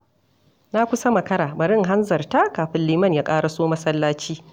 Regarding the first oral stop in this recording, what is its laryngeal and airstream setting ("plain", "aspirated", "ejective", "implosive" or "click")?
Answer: plain